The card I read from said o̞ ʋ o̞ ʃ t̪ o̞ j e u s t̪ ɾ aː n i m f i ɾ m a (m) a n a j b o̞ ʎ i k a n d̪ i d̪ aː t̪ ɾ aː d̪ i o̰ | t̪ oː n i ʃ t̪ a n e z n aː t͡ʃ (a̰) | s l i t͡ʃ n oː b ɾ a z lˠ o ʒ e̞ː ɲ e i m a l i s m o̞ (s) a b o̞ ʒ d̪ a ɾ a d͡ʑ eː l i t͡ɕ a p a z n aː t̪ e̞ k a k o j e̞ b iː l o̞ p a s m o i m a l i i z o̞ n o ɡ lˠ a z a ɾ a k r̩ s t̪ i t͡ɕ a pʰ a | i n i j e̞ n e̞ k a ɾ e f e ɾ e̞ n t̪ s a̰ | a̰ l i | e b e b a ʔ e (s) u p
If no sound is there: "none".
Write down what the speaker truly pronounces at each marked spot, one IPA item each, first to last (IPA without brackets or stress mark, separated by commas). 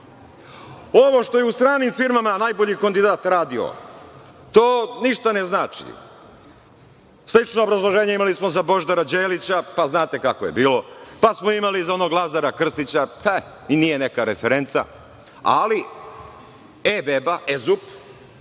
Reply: m, ḭ, z, z